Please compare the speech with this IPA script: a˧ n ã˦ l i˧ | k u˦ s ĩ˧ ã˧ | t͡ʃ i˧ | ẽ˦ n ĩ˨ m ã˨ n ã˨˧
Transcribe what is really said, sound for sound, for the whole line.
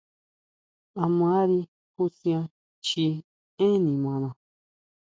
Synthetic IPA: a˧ m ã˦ ɾ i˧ | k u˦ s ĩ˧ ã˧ | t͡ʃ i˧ | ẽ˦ n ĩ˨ m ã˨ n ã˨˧